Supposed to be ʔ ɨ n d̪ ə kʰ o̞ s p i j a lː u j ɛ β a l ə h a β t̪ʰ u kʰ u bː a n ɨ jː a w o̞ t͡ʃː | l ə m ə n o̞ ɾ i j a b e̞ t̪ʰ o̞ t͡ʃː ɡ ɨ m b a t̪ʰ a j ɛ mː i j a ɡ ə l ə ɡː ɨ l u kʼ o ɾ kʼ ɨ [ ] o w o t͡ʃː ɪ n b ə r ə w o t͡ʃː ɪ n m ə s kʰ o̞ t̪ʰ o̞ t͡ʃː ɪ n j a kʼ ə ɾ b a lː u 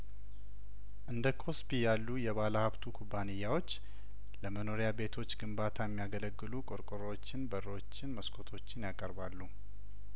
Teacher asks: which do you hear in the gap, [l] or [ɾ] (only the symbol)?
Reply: ɾ